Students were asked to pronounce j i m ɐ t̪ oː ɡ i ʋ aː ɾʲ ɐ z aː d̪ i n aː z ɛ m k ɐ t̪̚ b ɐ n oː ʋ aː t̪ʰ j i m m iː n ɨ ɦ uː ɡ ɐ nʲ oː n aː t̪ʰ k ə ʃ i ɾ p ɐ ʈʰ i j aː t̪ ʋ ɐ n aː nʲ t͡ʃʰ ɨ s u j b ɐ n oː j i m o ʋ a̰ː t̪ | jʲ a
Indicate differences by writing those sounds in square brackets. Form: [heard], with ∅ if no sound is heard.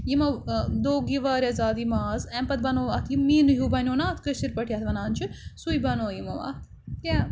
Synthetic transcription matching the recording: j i m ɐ [d̪] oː ɡ i ʋ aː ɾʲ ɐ z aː d̪ i [m] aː z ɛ m [p] ɐ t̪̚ b ɐ n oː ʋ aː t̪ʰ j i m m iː n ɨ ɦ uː [b] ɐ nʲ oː n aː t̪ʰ k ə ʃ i ɾ p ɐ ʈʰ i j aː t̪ ʋ ɐ n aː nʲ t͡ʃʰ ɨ s u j b ɐ n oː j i m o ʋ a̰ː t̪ | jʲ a